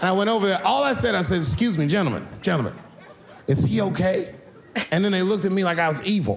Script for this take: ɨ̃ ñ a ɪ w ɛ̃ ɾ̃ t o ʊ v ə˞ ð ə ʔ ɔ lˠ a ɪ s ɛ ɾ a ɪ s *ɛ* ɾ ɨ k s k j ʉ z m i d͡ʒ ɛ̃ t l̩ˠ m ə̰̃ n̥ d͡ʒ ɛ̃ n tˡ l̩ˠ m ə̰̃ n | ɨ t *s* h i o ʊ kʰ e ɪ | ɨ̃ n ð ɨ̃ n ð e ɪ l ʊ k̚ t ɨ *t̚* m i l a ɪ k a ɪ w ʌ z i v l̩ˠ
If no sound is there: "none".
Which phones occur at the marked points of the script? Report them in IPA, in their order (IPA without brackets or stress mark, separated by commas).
ɛ, s, t̚